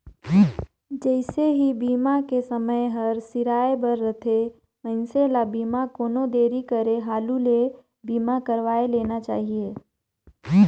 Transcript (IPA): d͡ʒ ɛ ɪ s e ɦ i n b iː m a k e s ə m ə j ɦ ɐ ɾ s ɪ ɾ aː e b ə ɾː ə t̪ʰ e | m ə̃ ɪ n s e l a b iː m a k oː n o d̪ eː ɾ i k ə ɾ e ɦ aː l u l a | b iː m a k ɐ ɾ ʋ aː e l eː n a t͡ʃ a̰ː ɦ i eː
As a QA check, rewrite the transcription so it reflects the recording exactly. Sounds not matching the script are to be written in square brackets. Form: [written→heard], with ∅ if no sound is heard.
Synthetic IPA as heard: d͡ʒ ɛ ɪ s e ɦ i [n→∅] b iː m a k e s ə m ə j ɦ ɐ ɾ s ɪ ɾ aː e b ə ɾː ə t̪ʰ e | m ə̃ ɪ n s e l a b iː m a k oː n o d̪ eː ɾ i k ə ɾ e ɦ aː l u l [a→e] | b iː m a k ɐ ɾ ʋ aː e l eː n a t͡ʃ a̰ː ɦ i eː